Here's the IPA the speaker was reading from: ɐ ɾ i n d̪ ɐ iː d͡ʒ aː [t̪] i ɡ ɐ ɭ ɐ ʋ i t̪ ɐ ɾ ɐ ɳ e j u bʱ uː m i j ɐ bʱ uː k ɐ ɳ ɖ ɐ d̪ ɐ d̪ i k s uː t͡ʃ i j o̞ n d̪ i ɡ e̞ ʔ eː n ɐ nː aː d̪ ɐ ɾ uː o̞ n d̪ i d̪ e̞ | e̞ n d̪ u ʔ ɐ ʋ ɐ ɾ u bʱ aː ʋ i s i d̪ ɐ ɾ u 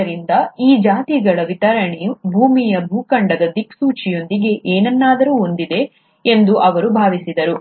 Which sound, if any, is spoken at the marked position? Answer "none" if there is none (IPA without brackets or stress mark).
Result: t̪